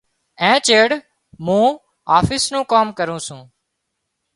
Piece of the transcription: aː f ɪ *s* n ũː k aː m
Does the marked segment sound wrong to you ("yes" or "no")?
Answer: no